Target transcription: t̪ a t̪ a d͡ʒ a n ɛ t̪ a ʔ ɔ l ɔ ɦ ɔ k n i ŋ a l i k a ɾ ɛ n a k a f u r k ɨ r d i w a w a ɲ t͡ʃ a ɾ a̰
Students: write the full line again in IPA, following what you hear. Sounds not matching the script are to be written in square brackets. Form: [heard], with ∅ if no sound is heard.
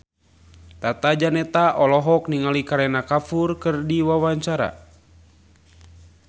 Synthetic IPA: t̪ a t̪ a d͡ʒ a n ɛ t̪ a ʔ ɔ l ɔ ɦ ɔ k n i ŋ a l i k a ɾ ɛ n a k a f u r k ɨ r d i w a w a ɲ t͡ʃ a ɾ a̰